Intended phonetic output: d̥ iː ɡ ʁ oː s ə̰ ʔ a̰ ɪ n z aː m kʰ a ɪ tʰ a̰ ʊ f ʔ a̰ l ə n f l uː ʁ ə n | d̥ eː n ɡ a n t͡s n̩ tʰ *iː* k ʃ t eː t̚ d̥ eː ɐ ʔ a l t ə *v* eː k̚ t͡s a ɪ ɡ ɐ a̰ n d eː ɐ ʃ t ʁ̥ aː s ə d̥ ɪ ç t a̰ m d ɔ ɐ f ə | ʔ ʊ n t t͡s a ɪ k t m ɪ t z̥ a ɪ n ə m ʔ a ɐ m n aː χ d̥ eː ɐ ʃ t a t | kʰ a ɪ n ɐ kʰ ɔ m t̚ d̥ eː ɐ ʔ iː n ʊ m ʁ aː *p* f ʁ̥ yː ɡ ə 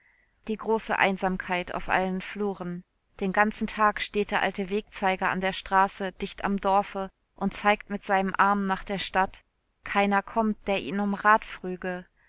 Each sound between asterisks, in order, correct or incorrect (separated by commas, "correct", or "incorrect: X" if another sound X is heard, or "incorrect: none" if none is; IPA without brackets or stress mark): incorrect: aː, correct, incorrect: t